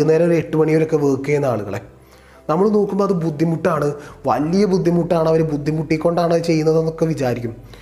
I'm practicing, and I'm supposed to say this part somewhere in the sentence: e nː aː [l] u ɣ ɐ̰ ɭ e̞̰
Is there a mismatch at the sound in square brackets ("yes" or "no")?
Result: yes